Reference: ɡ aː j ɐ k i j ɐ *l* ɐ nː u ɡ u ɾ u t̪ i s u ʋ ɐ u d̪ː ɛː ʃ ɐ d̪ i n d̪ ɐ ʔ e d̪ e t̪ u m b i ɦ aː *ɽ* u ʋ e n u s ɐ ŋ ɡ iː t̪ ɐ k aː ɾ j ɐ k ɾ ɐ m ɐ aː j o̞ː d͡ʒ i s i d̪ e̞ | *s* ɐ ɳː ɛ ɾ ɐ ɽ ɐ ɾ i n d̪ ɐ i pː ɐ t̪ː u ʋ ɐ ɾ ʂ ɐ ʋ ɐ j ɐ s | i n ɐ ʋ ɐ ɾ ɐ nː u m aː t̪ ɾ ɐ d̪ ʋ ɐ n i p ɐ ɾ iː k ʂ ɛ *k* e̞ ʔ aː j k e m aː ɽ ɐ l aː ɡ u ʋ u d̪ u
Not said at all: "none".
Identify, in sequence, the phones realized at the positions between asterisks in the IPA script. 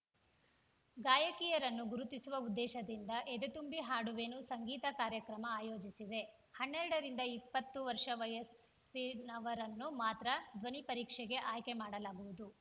ɾ, ɽ, h, ɡ

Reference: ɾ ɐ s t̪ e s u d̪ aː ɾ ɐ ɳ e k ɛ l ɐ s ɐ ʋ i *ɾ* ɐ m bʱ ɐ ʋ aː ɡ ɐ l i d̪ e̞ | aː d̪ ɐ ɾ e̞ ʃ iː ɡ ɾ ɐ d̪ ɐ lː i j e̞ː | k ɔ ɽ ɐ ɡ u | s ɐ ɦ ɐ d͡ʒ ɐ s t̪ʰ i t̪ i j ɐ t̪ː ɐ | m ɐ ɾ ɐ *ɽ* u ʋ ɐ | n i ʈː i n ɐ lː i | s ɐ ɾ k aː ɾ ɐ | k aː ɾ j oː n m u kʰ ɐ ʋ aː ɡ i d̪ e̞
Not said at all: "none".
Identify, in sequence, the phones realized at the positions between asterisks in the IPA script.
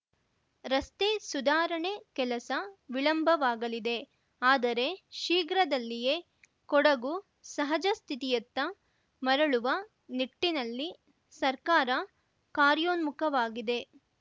ɭ, ɭ

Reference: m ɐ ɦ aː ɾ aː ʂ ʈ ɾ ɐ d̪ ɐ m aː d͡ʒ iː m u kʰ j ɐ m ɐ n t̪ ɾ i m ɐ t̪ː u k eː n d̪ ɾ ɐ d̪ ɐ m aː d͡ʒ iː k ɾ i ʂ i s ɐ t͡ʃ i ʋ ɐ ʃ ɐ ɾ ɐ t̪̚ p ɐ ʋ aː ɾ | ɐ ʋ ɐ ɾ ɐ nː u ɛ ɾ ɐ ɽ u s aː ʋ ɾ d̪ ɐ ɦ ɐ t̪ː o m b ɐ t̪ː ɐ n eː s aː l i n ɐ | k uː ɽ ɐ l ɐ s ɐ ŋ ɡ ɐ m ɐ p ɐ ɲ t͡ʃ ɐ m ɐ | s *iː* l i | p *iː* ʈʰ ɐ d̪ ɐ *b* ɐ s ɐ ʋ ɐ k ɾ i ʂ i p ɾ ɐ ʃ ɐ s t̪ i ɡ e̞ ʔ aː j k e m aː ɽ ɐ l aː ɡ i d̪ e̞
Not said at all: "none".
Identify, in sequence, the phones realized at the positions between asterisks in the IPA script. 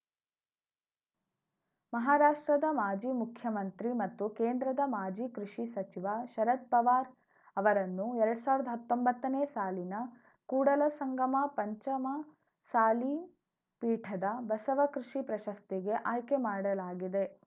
aː, iː, b

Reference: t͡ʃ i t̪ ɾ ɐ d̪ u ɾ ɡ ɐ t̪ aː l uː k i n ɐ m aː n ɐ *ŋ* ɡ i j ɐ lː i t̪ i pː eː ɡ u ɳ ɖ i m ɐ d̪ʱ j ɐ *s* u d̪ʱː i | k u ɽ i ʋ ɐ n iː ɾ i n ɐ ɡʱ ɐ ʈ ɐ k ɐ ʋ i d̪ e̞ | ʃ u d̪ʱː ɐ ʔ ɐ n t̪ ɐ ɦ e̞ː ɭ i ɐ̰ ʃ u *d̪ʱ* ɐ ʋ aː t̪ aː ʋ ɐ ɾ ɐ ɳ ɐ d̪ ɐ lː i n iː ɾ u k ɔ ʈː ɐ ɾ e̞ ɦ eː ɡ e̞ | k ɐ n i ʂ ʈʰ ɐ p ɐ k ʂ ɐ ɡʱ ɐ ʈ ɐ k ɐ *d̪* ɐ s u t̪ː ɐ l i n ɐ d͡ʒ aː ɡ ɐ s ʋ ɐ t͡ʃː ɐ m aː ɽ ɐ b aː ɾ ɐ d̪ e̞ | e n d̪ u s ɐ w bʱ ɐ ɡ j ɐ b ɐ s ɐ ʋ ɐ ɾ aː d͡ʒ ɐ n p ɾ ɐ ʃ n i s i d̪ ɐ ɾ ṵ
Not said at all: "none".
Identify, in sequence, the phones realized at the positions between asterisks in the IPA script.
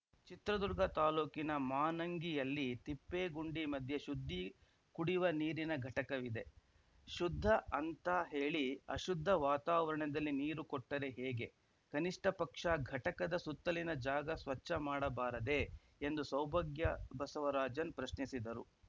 ŋ, ʃ, d̪ʱː, d̪

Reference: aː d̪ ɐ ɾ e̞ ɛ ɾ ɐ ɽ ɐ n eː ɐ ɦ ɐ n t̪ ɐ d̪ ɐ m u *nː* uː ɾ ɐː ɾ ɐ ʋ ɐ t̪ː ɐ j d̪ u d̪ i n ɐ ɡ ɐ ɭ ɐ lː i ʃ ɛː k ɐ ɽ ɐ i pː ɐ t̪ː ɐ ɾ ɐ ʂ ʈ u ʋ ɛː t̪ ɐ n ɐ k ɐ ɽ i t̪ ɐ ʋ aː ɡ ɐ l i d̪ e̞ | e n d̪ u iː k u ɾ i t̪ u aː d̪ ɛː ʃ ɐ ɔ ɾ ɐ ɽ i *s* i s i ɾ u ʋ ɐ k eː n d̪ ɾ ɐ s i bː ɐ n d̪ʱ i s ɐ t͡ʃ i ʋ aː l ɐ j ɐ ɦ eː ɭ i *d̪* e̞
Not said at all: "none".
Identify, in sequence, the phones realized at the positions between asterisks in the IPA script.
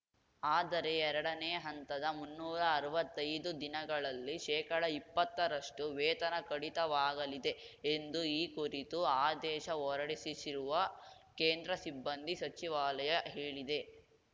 nː, s, d̪

